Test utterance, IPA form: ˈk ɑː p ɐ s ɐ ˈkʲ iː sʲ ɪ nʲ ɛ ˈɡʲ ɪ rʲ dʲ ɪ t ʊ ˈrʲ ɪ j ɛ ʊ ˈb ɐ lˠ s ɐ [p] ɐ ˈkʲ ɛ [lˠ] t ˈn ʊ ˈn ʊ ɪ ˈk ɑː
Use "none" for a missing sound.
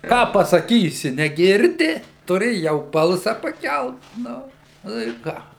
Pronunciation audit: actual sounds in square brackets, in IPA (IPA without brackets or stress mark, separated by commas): p, lˠ